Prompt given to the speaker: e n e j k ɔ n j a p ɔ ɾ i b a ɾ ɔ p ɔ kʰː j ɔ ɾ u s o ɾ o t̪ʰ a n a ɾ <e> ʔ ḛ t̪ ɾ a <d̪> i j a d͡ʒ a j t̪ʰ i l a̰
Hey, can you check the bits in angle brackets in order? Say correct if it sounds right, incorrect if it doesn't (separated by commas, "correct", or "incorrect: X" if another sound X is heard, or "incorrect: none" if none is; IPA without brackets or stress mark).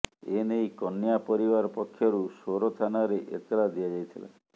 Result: correct, correct